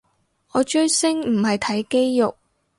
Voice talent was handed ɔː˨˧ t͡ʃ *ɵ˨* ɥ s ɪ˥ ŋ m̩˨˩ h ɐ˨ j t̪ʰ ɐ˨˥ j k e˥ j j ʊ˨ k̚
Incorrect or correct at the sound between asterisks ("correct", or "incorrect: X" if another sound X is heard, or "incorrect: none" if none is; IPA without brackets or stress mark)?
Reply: incorrect: ɵ˥